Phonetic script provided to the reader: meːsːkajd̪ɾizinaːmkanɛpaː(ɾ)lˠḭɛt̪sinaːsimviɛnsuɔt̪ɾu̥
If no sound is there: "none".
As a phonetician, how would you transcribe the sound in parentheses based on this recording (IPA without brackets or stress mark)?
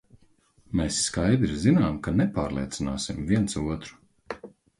ɾ